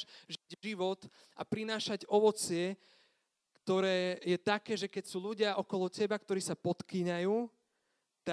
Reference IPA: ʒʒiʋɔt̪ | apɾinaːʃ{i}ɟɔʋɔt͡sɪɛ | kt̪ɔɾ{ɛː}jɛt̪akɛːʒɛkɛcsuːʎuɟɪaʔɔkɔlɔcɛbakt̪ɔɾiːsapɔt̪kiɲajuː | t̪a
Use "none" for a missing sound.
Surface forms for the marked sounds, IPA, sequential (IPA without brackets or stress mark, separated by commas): a, ɛː